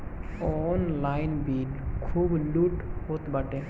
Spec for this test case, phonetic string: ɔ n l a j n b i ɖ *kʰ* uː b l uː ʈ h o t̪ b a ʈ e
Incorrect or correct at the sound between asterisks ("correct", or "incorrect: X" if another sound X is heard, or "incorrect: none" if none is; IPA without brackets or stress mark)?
correct